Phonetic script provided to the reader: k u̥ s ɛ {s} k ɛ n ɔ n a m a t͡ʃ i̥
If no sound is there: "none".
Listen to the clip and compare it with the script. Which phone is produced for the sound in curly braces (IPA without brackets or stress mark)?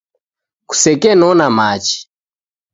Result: none